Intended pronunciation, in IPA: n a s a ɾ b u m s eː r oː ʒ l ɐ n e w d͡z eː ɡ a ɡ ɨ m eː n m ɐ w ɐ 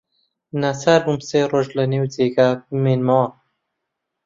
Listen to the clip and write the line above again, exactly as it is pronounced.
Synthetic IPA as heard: n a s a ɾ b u m s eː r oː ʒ l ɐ n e w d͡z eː ɡ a b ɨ m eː n m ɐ w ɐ